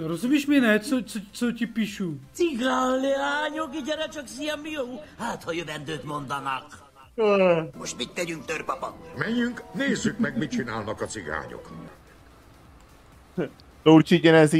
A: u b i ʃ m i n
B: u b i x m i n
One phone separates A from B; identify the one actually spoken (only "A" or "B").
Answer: A